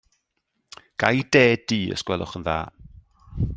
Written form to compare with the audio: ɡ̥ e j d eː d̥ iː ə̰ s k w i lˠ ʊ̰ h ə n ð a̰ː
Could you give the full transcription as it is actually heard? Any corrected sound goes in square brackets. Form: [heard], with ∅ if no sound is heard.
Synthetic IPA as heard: ɡ̥ [a] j d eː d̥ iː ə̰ s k w [ɛ] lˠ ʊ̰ [χ] ə n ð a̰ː